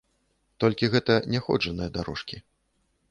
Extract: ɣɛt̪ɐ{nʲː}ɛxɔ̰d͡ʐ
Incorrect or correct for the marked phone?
incorrect: nʲ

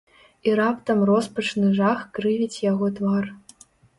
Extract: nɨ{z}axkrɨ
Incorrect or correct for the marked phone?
incorrect: ʐ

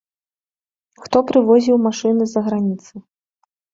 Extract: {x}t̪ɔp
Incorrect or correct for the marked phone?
correct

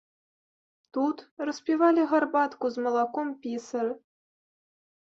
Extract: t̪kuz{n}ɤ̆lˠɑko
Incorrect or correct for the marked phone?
incorrect: m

